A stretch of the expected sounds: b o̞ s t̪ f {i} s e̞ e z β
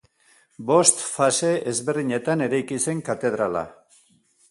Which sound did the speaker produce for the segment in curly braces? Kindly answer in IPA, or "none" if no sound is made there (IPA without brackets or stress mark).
a